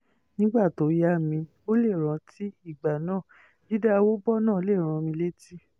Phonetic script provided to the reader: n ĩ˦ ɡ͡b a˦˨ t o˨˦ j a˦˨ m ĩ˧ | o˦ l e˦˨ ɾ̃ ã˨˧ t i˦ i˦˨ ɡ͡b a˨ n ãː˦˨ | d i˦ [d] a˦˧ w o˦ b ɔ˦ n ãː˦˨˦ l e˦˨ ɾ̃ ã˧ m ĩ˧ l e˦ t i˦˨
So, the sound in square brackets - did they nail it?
yes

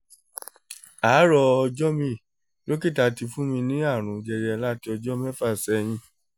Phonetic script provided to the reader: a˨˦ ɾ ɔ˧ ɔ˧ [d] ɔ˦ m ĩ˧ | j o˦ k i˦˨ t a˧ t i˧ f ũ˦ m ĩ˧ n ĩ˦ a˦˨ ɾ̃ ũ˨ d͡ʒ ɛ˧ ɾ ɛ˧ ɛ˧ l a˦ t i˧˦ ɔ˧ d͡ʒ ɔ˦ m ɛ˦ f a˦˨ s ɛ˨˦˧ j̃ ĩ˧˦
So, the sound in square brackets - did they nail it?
no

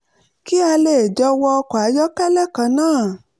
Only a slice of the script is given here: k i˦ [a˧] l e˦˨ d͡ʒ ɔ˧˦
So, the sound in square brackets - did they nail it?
yes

